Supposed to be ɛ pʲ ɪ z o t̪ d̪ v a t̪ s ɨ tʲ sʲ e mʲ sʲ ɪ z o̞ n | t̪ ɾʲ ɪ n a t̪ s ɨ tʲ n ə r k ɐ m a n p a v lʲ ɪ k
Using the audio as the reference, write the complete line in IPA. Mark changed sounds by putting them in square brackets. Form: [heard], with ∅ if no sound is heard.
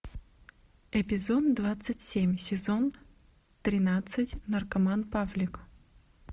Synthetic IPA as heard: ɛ pʲ ɪ z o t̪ d̪ v a t̪ s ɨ tʲ sʲ e mʲ sʲ ɪ z o̞ n | t̪ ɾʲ ɪ n a t̪ s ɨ tʲ n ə r k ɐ m a n p a v lʲ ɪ k

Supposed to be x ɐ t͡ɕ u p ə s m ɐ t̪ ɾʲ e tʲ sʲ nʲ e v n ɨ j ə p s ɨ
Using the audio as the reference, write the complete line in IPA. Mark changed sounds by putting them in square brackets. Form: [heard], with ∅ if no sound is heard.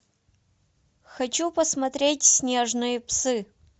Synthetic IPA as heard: x ɐ t͡ɕ u p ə s m ɐ t̪ ɾʲ e tʲ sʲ nʲ e [ʐ] n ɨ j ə p s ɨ

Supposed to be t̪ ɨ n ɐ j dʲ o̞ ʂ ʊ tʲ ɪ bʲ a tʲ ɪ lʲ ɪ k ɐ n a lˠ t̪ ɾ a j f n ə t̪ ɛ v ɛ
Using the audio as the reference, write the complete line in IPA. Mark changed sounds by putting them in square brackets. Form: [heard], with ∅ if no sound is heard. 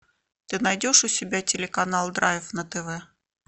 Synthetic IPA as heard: t̪ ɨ n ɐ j dʲ o̞ ʂ ʊ [sʲ] ɪ bʲ a tʲ ɪ lʲ ɪ k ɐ n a lˠ [d̪] ɾ a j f n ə t̪ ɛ v ɛ

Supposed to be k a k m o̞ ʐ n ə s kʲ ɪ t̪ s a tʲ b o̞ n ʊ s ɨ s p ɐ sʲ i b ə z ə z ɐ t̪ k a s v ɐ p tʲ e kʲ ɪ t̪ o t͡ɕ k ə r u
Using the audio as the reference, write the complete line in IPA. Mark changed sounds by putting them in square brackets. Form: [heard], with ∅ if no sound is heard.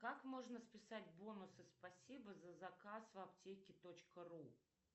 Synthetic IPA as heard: k a k m o̞ ʐ n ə s [pʲ] ɪ [∅] s a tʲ b o̞ n ʊ s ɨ s p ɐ sʲ i b ə z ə z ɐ [∅] k a s v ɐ p tʲ e kʲ ɪ t̪ o t͡ɕ k ə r u

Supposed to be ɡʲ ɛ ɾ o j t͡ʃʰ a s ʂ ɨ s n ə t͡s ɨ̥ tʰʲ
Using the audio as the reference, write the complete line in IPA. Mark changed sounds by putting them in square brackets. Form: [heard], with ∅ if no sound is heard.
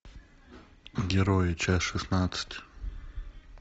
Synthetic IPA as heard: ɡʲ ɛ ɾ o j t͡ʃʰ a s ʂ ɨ s n [a] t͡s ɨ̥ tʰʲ

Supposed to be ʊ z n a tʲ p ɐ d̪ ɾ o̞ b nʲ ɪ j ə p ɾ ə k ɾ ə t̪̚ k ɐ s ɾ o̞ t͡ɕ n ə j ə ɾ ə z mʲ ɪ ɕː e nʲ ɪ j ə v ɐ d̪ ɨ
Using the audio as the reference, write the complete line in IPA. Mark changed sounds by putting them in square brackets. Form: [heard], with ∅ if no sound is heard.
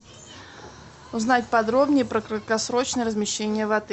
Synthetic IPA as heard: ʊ z n a tʲ p ɐ d̪ ɾ o̞ b nʲ ɪ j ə p ɾ ə k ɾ ə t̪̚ k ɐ s ɾ o̞ t͡ɕ n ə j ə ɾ ə z mʲ ɪ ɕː e nʲ ɪ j ə v ɐ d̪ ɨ

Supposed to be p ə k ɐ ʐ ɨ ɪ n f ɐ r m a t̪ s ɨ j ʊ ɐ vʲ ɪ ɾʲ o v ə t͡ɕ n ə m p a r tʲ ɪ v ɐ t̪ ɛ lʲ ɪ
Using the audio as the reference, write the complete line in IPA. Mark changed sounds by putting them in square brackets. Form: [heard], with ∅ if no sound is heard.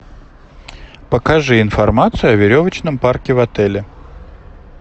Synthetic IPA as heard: p ə k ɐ ʐ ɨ ɪ n f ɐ r m a t̪ s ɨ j ʊ ɐ vʲ ɪ ɾʲ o v ə t͡ɕ n ə m p a r [kʲ] ɪ v ɐ t̪ ɛ lʲ ɪ

